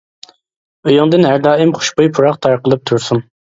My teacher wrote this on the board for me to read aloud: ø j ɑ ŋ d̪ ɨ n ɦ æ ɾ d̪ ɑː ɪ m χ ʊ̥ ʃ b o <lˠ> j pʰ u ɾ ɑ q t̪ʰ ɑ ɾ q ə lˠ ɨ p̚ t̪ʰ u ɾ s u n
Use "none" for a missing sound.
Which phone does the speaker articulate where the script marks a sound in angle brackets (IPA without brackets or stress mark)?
none